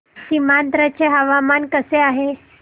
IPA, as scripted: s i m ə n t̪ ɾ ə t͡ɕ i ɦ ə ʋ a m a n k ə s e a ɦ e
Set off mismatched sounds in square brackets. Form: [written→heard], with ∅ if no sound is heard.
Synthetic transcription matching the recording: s i m [ə→a] n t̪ ɾ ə t͡ɕ [i→e] ɦ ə ʋ a m a n k ə s e a ɦ e

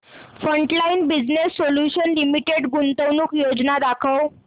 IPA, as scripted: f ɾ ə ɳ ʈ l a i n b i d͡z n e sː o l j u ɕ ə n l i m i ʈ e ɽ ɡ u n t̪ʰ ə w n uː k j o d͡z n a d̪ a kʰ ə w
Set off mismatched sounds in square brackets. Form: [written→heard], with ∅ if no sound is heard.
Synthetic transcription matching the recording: f ɾ ə ɳ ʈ l a i n b i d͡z n e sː o l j u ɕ ə n l i m i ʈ e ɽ ɡ u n [t̪ʰ→t̪] ə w n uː k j o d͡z n a d̪ a kʰ ə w

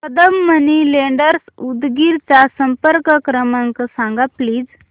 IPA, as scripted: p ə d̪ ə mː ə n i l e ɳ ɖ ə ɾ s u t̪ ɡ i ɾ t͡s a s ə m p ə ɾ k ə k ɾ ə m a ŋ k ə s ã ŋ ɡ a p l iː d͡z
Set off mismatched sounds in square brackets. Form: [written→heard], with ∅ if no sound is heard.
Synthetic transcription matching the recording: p ə d̪ ə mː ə n i l e ɳ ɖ ə ɾ s u [t̪→d̪] ɡ i ɾ t͡s a s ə m p ə ɾ k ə k ɾ ə m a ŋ k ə s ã ŋ ɡ a p l iː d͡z

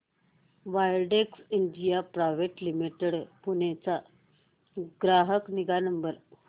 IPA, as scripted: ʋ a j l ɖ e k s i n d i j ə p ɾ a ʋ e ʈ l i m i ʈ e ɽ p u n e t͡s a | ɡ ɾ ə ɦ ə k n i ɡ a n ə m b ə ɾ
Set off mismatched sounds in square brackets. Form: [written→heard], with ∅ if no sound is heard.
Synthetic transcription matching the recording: ʋ a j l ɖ e k s i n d i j [ə→a] p ɾ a ʋ e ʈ l i m i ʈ e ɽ p u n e t͡s a | ɡ ɾ [ə→a] ɦ ə k n i ɡ a n ə m b ə ɾ

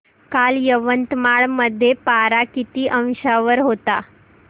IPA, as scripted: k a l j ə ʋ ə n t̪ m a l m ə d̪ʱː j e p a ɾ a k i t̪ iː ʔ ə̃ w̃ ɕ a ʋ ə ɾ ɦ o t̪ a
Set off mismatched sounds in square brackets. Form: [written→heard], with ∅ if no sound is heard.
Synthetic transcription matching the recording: k a l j ə ʋ ə n t̪ m a [l→ɭ] m ə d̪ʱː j e p a ɾ a k i t̪ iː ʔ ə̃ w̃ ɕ a ʋ ə ɾ ɦ o t̪ a

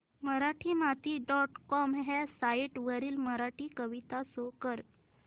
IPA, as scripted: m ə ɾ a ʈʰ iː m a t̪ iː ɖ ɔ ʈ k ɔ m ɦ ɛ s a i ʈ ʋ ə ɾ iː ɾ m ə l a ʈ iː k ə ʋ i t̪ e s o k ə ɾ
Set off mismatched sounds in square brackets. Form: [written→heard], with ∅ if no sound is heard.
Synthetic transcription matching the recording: m ə ɾ a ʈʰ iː m a t̪ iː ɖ ɔ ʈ k ɔ m ɦ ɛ s a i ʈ ʋ ə ɾ iː [ɾ→l] m ə [l→ɾ] a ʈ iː k ə ʋ i t̪ [e→a] s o k ə ɾ

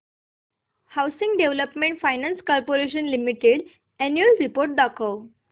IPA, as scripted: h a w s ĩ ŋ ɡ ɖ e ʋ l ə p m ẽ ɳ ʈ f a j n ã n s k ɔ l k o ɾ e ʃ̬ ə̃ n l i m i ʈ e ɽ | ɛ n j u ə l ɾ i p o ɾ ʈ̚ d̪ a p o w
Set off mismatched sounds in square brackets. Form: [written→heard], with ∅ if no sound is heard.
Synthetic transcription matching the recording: h a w s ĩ ŋ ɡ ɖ e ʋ l ə p m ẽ ɳ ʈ f a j n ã n s k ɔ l [k→p] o ɾ e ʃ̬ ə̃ n l i m i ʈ e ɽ | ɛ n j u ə l ɾ i p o ɾ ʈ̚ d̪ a [p→k] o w

